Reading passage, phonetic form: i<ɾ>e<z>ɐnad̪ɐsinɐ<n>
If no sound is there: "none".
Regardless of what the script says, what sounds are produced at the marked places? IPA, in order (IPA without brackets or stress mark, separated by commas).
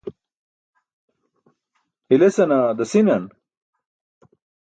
l, s, n